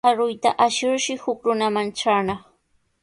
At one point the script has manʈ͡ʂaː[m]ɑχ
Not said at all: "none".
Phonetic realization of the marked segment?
n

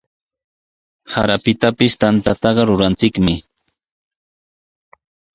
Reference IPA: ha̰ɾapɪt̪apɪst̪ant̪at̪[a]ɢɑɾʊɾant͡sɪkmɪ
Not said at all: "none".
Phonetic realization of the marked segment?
ɑ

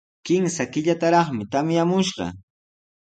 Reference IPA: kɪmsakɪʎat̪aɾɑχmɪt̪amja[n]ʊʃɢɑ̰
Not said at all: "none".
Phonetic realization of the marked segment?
m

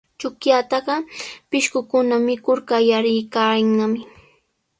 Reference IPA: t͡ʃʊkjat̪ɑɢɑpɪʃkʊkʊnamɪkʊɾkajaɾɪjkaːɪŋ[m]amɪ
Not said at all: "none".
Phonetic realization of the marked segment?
n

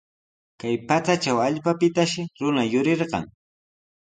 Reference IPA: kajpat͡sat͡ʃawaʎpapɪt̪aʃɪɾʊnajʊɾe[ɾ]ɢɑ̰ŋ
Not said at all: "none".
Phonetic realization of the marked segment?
ɾ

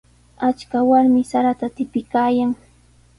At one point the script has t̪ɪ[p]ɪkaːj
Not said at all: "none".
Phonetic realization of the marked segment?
p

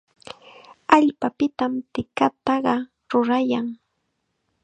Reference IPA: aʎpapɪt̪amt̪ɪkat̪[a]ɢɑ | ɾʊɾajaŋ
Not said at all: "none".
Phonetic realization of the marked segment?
ɑ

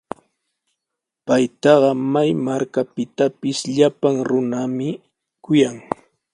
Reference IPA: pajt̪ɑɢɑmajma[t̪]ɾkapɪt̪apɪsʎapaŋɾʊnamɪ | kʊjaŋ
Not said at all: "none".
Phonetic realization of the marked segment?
none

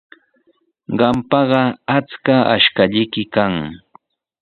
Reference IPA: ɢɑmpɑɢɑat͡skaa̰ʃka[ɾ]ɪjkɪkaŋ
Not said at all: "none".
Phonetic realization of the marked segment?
ʎ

